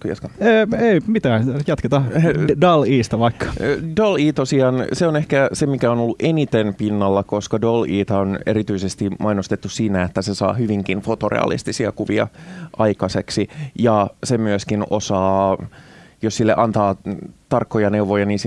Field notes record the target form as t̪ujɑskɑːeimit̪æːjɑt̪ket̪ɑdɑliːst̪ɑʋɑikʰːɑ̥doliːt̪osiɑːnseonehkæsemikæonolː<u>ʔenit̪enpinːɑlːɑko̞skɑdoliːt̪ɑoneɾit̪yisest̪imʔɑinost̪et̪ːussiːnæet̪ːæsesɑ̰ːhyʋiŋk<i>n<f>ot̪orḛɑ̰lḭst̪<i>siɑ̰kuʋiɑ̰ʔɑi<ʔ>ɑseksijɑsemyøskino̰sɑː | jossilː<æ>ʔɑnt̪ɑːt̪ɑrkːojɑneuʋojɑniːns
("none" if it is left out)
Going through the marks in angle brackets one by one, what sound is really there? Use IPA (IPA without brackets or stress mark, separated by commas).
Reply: u, i, f, i, k, e